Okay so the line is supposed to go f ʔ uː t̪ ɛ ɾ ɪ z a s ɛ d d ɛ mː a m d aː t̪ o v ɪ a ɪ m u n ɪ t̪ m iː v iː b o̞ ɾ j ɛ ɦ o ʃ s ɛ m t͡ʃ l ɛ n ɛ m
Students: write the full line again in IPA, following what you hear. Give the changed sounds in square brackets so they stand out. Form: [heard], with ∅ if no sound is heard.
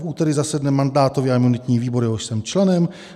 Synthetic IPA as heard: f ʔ uː t̪ ɛ ɾ ɪ z a s ɛ d [n] ɛ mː a [n] d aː t̪ o v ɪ a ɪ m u n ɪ t̪ [ɲ] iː v iː b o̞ ɾ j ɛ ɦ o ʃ s ɛ m t͡ʃ l ɛ n ɛ m